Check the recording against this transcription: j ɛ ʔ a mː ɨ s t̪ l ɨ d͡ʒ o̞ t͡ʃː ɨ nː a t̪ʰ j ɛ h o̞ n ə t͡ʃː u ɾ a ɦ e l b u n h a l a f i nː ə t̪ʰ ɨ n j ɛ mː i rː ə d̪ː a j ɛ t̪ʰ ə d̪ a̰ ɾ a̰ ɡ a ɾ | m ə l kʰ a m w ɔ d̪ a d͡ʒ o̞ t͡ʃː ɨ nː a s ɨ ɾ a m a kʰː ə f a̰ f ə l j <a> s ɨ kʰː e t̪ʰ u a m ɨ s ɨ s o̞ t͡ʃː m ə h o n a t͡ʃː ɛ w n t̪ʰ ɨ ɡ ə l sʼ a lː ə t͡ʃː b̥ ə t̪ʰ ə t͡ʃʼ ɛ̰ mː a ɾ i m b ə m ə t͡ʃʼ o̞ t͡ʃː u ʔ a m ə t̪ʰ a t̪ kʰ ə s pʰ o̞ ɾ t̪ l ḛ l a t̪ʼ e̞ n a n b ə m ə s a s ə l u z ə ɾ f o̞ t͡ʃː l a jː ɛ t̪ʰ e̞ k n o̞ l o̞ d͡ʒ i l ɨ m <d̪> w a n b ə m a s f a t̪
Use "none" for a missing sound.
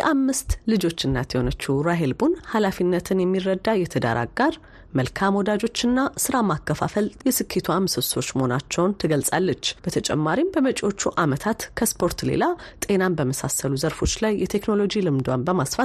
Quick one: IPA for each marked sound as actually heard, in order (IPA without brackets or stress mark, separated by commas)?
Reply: ɛ, d̪